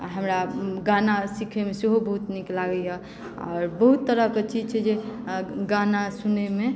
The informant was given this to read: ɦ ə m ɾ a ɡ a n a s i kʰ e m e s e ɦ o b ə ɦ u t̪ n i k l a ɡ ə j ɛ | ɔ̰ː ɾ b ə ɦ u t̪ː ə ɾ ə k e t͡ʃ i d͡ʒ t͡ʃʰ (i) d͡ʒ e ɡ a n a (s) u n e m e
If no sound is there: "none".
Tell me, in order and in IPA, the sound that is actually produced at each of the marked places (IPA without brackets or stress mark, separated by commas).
ɛ, s